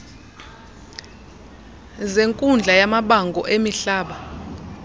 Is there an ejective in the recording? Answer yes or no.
yes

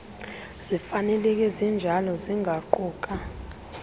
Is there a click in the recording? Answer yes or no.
yes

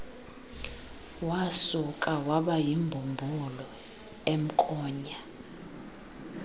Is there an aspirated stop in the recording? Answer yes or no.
no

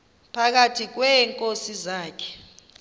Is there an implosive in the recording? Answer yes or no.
no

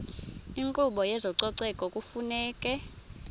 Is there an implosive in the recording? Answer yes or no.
yes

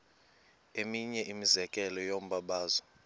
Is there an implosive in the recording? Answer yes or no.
yes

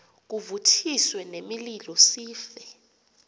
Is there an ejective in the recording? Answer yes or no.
no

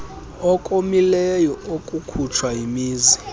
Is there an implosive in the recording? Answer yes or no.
no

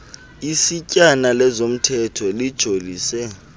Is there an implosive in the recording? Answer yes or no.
no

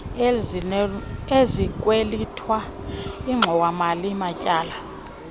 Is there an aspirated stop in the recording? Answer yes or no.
yes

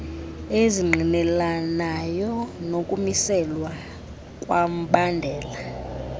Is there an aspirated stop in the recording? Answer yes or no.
no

